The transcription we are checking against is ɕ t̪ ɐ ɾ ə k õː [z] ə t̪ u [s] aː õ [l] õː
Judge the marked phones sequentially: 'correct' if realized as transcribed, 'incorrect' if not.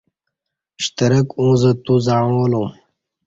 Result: correct, incorrect, correct

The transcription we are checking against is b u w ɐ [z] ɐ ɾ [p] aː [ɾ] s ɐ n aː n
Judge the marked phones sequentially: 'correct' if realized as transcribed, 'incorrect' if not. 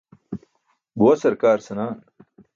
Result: incorrect, incorrect, correct

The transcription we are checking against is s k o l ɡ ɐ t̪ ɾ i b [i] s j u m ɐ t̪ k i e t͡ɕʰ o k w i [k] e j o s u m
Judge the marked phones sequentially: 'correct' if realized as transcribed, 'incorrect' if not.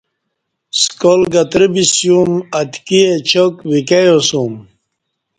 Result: correct, correct

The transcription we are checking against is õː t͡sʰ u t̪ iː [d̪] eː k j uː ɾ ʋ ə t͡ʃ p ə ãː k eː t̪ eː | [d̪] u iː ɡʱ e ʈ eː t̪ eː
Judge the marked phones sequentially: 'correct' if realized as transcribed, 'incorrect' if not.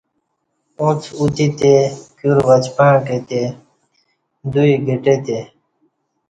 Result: incorrect, correct

